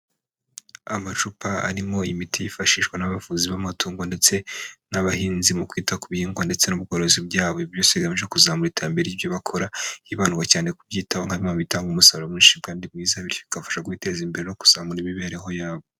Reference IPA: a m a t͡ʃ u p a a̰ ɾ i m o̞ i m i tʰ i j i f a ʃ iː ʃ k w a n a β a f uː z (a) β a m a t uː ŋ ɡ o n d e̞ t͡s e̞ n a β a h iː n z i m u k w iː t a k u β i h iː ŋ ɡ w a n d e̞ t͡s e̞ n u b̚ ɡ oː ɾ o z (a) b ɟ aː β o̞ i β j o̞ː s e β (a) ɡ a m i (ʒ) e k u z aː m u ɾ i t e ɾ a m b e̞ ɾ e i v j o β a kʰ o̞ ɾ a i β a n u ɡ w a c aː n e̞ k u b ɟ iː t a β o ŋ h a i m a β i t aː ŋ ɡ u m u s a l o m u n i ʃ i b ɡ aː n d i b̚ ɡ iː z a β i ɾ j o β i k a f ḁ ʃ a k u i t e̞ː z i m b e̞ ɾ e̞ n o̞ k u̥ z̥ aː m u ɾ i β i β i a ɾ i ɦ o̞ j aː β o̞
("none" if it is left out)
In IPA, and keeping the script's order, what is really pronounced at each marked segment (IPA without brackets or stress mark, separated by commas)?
i, i, i, ʒ